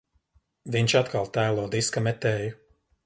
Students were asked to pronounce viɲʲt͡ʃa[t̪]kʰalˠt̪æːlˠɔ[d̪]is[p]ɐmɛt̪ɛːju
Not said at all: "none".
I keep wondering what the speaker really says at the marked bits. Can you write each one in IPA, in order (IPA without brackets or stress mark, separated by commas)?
t̪, d̪, k